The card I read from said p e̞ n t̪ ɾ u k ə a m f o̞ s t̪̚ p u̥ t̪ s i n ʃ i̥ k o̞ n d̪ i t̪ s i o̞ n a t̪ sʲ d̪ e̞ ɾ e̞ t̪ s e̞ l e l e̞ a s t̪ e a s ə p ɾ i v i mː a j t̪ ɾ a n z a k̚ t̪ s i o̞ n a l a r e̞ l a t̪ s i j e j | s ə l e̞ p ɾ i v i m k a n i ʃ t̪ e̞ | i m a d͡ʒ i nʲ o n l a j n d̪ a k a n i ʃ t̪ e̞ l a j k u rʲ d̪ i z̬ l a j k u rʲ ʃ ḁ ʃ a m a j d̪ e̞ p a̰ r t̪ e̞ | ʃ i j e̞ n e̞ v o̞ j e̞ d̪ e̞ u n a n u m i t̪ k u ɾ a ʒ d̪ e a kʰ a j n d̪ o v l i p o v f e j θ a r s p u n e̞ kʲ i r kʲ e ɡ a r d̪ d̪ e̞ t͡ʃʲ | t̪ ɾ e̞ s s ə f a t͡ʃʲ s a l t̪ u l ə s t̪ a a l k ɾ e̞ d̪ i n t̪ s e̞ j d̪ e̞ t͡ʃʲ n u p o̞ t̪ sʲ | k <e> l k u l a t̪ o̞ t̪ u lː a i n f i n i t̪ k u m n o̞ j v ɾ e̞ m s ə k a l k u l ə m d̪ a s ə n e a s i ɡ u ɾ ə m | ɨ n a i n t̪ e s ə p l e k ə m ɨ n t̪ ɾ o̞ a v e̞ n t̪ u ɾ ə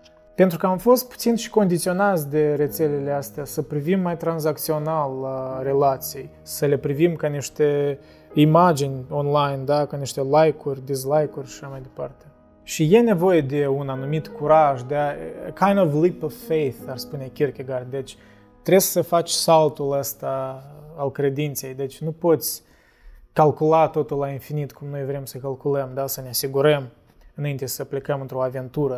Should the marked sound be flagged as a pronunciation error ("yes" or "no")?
yes